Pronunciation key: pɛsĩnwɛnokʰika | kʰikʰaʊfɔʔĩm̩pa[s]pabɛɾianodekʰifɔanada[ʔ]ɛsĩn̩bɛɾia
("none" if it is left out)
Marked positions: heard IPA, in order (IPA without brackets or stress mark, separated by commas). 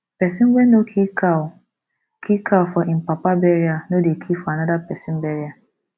none, p